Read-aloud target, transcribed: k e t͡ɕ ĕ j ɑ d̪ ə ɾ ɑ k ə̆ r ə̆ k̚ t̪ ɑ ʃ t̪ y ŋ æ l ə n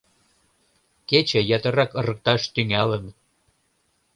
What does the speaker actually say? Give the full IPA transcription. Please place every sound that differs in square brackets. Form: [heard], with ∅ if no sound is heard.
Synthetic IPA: k e t͡ɕ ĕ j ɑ [t̪] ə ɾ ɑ k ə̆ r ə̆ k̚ t̪ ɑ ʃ t̪ y ŋ æ l ə n